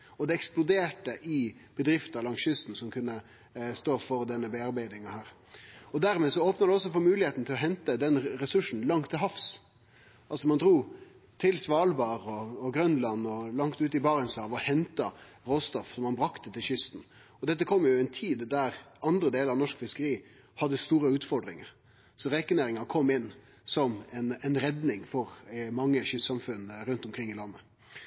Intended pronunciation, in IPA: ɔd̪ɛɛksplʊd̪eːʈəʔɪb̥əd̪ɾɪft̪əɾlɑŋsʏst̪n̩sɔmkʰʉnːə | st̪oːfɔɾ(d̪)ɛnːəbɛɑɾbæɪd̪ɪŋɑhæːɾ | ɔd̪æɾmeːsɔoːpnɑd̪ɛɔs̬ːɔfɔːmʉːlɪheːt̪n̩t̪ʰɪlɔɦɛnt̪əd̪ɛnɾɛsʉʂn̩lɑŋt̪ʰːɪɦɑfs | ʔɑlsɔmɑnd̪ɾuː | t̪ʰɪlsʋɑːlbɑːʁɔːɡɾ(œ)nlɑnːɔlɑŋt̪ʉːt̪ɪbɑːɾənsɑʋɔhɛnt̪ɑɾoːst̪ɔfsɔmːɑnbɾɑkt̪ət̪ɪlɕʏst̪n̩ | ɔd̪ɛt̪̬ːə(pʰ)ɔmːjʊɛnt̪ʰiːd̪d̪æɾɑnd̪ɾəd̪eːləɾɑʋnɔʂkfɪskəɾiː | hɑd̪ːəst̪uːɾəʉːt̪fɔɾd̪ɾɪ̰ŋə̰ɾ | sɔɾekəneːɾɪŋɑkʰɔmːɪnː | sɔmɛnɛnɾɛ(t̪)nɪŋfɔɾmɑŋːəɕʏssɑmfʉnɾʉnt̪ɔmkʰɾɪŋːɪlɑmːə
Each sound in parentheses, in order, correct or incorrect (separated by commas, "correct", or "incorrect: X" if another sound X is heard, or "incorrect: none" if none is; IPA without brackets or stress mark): correct, correct, incorrect: kʰ, incorrect: d̪